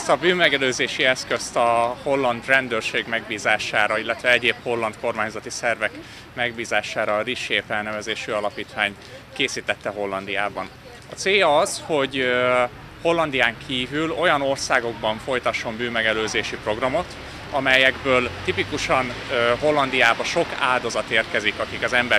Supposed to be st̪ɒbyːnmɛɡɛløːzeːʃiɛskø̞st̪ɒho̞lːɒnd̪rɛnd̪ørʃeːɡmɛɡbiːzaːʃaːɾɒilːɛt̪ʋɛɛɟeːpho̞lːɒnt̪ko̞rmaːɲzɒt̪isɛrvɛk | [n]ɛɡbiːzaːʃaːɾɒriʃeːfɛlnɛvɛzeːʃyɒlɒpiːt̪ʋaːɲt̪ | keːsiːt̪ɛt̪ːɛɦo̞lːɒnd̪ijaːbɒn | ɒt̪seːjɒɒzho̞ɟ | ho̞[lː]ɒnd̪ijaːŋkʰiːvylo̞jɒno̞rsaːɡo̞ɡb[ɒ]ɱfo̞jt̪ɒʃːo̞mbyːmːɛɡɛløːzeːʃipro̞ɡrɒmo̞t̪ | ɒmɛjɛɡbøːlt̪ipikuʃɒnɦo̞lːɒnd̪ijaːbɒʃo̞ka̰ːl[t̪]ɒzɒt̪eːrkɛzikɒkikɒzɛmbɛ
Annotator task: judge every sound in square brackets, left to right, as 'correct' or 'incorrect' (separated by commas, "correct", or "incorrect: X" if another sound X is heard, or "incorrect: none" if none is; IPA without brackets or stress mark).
incorrect: m, correct, correct, incorrect: d̪